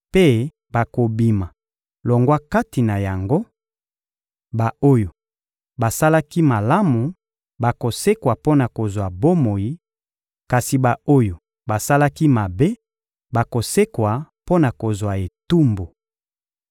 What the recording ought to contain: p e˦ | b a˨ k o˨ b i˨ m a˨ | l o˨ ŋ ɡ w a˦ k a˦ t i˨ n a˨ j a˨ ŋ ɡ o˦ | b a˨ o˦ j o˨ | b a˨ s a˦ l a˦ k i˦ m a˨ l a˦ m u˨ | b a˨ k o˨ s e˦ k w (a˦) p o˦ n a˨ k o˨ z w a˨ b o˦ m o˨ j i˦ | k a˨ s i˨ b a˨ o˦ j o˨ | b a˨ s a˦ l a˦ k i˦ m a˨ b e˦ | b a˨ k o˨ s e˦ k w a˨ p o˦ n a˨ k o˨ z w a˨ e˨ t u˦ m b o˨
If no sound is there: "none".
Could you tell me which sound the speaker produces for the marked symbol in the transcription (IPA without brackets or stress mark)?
a˨